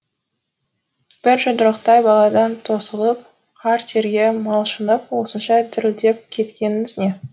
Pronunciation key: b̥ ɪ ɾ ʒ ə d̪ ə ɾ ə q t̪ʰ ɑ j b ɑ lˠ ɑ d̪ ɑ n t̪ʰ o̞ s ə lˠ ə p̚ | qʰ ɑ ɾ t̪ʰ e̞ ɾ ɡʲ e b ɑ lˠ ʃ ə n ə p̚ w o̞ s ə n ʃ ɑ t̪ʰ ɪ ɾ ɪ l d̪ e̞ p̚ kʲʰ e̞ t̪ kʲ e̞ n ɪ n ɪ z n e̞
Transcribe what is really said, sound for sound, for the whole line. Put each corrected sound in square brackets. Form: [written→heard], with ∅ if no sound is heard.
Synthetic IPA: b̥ ɪ ɾ ʒ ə d̪ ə ɾ ə q [t̪ʰ→t̪] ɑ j b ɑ lˠ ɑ d̪ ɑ n t̪ʰ o̞ s ə lˠ ə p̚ | qʰ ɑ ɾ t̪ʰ e̞ ɾ ɡʲ e [b→m] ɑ lˠ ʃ ə n ə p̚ w o̞ s ə n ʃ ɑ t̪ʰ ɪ ɾ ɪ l d̪ e̞ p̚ kʲʰ e̞ t̪ kʲ e̞ n ɪ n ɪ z n e̞